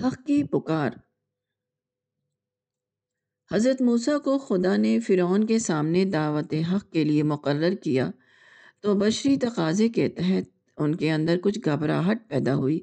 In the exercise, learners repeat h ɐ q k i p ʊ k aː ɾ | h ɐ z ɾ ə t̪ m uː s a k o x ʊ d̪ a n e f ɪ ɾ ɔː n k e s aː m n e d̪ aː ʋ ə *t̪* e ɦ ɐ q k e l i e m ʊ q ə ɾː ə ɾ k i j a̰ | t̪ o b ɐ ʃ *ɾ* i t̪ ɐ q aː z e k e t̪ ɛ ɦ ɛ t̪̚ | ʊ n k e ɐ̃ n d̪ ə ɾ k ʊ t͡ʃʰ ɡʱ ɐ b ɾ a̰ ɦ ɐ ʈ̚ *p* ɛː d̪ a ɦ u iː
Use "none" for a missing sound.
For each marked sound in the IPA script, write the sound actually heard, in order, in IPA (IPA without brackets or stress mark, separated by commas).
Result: t̪, ɾ, p